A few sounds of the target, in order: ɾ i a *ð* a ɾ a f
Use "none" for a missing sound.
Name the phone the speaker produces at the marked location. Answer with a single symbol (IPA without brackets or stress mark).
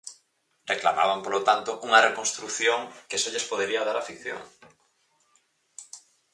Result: ð